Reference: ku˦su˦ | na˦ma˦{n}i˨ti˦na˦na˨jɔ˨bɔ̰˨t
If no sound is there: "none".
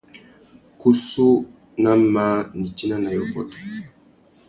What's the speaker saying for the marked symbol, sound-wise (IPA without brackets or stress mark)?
n